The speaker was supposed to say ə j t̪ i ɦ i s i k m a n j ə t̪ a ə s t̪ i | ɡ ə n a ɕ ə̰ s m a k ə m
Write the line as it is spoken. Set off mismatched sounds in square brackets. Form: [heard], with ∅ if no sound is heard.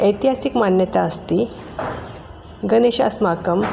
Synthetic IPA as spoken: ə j t̪ i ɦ [a] s i k m a n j ə t̪ a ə s t̪ i | ɡ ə n [e] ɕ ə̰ s m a k ə m